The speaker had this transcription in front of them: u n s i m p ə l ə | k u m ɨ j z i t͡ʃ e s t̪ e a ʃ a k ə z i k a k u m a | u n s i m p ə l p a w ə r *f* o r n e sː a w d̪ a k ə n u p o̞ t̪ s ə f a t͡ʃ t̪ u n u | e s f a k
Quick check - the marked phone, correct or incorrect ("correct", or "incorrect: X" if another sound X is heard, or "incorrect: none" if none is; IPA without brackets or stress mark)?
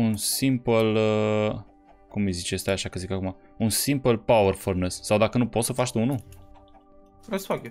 correct